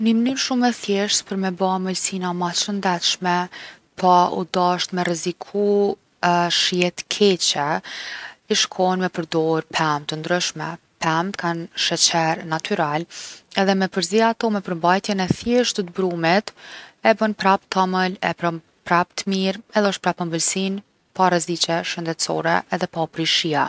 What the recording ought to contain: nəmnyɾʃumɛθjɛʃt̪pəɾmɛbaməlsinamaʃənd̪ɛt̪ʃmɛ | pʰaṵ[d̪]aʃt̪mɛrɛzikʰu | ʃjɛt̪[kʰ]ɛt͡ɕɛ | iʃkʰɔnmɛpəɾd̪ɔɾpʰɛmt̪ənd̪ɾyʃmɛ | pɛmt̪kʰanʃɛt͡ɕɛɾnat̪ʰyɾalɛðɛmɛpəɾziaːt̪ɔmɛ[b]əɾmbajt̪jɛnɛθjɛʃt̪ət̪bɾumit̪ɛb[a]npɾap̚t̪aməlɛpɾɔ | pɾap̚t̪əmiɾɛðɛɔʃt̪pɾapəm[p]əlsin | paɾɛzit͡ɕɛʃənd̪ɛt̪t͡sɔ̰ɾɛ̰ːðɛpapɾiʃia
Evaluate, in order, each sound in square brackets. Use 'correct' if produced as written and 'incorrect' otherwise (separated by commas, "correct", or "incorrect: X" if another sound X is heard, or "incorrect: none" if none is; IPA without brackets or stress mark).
correct, correct, incorrect: p, incorrect: ə, incorrect: b